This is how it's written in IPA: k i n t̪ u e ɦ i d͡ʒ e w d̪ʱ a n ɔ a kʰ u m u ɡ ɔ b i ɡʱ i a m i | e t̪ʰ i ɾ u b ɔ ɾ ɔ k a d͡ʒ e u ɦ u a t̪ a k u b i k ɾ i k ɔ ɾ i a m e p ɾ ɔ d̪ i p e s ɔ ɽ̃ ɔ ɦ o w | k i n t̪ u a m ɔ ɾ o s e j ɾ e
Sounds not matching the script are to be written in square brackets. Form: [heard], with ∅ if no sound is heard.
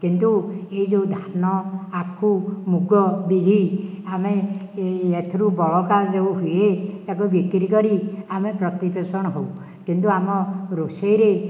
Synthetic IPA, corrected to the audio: k i n t̪ u e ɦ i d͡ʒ e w d̪ʱ a n ɔ a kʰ u m u ɡ ɔ b i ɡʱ i a m [e] | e t̪ʰ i ɾ u b ɔ [ɭ] ɔ k a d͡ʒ e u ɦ u [e] t̪ a k u b i k ɾ i k ɔ ɾ i a m e p ɾ ɔ [t̪] i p e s ɔ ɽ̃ ɔ ɦ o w | k i n t̪ u a m ɔ ɾ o s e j ɾ e